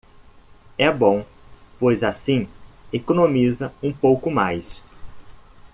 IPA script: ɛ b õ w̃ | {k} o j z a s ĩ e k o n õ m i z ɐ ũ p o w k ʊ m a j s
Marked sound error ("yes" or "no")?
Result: yes